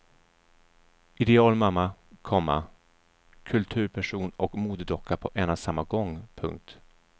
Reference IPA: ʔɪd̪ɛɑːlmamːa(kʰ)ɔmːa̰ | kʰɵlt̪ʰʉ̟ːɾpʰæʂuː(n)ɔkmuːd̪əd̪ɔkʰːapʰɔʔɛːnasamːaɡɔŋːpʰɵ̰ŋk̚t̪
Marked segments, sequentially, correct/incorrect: correct, correct

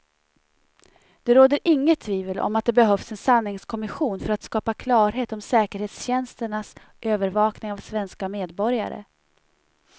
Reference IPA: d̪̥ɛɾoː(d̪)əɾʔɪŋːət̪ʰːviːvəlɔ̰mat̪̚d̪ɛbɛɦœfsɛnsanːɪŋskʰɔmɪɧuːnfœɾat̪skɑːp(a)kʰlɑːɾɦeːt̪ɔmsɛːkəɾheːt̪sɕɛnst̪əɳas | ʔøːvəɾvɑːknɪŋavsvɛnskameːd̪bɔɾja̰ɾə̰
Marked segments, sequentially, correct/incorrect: correct, correct

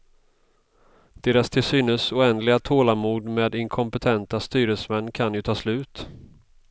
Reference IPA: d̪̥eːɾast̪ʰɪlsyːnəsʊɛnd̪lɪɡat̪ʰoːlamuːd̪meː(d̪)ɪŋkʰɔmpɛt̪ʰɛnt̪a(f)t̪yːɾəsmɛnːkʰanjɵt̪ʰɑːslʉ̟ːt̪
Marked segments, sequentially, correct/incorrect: correct, incorrect: s

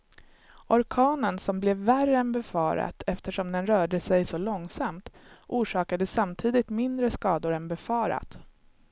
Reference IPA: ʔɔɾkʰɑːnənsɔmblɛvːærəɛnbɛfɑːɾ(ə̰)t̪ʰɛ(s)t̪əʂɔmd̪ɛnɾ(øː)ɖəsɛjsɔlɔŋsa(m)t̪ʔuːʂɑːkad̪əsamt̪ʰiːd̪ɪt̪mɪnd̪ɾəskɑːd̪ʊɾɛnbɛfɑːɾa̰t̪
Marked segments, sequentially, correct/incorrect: incorrect: a̰, incorrect: f, incorrect: œː, correct

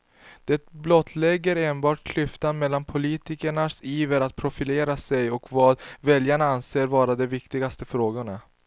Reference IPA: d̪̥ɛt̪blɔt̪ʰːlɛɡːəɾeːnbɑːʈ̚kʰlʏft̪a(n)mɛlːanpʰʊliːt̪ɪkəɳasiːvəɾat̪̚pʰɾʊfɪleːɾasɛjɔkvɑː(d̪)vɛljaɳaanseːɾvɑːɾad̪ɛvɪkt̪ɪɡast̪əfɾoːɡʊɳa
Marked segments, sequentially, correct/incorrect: correct, correct

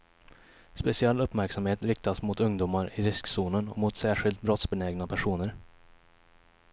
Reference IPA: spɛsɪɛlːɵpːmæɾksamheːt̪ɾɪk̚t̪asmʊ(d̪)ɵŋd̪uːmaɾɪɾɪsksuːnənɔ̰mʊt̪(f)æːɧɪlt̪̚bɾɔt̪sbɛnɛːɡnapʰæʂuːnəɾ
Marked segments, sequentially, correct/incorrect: incorrect: t̪, incorrect: s

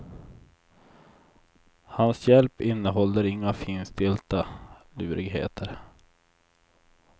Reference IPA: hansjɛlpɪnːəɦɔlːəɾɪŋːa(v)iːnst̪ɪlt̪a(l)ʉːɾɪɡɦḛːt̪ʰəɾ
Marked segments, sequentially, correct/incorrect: incorrect: f, correct

